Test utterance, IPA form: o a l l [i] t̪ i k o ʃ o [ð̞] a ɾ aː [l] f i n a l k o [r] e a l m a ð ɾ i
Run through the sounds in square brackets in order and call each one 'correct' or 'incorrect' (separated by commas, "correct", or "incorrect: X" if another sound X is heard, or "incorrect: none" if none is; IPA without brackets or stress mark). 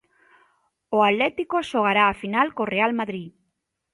incorrect: e, incorrect: ɣ̞, incorrect: none, correct